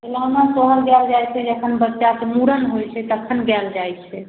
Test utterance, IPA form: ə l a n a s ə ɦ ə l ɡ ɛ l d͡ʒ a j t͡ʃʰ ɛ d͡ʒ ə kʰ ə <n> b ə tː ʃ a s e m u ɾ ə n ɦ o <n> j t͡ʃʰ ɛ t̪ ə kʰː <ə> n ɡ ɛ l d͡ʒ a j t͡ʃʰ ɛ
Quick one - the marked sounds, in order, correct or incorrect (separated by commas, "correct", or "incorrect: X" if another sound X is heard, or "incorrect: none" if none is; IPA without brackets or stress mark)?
correct, incorrect: none, correct